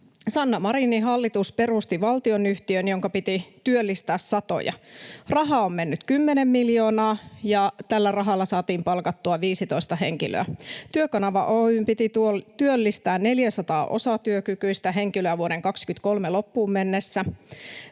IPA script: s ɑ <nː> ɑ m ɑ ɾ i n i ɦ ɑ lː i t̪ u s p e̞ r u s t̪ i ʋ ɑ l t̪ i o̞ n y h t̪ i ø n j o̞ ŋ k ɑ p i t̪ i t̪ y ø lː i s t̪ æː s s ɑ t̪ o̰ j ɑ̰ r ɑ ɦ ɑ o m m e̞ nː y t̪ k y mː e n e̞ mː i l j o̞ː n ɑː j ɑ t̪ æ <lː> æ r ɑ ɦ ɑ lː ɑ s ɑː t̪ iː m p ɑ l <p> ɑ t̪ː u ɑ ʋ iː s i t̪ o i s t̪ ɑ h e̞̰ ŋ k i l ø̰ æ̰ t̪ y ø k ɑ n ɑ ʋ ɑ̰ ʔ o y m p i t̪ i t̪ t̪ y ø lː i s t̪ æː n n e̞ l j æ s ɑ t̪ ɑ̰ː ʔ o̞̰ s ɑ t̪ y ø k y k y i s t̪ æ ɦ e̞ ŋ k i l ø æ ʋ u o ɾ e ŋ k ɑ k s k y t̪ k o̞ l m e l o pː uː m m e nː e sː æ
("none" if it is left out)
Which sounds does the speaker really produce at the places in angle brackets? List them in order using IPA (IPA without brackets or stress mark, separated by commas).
nː, lː, k